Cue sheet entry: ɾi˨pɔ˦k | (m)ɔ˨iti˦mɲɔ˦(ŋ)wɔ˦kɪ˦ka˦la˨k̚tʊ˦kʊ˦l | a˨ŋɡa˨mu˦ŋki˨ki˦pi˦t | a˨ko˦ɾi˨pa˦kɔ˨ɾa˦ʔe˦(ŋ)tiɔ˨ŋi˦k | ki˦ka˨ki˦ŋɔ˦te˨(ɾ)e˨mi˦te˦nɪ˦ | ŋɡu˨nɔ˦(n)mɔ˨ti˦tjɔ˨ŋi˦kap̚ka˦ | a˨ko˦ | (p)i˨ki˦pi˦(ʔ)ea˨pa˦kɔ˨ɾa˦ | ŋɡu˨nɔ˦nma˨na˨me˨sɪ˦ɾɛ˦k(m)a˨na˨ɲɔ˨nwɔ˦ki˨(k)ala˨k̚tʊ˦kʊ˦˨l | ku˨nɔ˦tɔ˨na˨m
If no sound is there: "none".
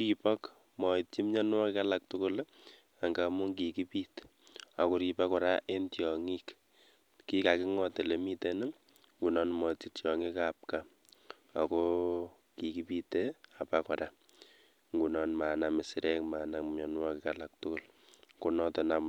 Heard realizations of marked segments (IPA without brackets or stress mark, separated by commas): m, n, n, l, n, k, t, m, k